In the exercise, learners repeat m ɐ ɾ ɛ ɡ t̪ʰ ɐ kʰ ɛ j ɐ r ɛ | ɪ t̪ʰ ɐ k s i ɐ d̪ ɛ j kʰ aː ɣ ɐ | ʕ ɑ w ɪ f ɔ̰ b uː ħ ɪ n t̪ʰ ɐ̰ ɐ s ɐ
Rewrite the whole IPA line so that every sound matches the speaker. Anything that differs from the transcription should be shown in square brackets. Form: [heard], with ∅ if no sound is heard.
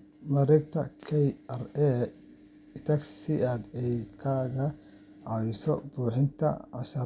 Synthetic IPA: m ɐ ɾ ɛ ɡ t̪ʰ ɐ kʰ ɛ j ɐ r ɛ | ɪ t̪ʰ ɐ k s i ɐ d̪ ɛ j kʰ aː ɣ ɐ | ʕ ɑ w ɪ [s] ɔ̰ b uː ħ ɪ n t̪ʰ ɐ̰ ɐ [ʃ] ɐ

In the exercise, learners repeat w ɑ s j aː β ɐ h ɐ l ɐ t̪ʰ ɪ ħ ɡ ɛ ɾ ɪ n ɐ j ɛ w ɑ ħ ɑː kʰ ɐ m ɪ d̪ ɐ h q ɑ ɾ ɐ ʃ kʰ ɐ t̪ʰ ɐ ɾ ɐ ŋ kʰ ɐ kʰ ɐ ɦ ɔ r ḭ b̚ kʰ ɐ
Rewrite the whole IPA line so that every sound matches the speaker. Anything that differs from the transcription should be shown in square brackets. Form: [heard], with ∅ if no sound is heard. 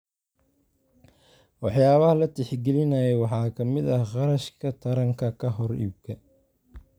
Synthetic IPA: w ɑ [ħ] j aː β ɐ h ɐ l ɐ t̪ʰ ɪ ħ ɡ ɛ [l] ɪ n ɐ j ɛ w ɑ ħ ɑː kʰ ɐ m ɪ d̪ ɐ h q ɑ ɾ ɐ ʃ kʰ ɐ t̪ʰ ɐ ɾ ɐ ŋ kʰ ɐ kʰ ɐ ɦ ɔ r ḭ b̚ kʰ ɐ

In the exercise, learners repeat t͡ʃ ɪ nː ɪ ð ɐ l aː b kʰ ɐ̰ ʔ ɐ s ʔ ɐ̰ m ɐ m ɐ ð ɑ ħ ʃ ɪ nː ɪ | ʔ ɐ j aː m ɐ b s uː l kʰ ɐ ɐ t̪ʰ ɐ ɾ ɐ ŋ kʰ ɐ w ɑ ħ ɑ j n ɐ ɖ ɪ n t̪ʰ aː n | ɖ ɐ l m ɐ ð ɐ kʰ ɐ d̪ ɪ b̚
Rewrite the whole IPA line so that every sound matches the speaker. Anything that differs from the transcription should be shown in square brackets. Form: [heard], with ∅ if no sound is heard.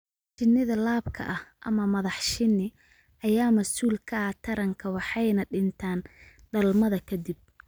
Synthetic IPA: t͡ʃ ɪ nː ɪ ð ɐ l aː b kʰ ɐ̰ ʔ ɐ [h] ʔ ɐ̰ m ɐ m ɐ ð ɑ ħ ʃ ɪ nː ɪ | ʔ ɐ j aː m ɐ [∅] s uː l kʰ ɐ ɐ t̪ʰ ɐ ɾ ɐ ŋ kʰ ɐ w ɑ ħ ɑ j n ɐ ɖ ɪ n t̪ʰ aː n | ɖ ɐ l m ɐ ð ɐ kʰ ɐ d̪ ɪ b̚

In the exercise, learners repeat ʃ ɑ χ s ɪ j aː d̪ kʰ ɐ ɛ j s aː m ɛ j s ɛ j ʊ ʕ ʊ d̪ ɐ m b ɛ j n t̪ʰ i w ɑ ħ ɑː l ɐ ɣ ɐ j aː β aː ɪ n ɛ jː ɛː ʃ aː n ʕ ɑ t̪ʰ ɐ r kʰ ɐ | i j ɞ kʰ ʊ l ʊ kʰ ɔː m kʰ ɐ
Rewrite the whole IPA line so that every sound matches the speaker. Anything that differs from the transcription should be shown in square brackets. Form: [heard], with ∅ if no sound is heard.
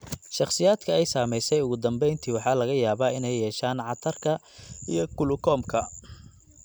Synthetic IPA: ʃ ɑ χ s ɪ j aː d̪ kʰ ɐ ɛ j s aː m ɛ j s ɛ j ʊ [ɣ] ʊ d̪ ɐ m b ɛ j n t̪ʰ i w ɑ ħ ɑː l ɐ ɣ ɐ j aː β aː ɪ n ɛ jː ɛː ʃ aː n ʕ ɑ t̪ʰ ɐ r kʰ ɐ | i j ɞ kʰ ʊ l ʊ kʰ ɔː m kʰ ɐ

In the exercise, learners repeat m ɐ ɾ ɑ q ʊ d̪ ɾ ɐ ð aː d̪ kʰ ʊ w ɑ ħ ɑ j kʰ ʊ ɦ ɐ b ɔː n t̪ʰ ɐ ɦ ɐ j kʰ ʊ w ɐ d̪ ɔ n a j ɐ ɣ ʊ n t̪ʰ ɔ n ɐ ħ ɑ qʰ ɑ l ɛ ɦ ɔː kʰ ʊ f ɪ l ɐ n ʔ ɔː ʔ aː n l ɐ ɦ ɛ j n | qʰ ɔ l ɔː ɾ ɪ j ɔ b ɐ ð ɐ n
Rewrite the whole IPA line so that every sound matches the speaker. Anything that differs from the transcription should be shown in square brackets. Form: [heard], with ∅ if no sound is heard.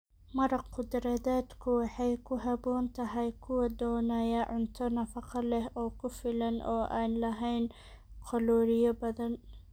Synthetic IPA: m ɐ ɾ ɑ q ʊ d̪ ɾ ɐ ð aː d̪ kʰ ʊ w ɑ ħ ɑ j kʰ ʊ ɦ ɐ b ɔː n t̪ʰ ɐ ɦ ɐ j kʰ ʊ w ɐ d̪ [ɔː] n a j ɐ [ʕ] ʊ n t̪ʰ ɔ n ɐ [f] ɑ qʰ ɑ l ɛ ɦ ɔː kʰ ʊ f ɪ l ɐ n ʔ ɔː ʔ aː n l ɐ ɦ ɛ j n | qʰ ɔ l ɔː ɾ ɪ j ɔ b ɐ ð ɐ n

